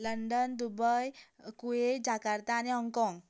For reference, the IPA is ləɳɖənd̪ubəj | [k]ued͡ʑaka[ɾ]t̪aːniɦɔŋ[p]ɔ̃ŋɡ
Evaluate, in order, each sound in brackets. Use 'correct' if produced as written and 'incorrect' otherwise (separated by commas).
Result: correct, correct, incorrect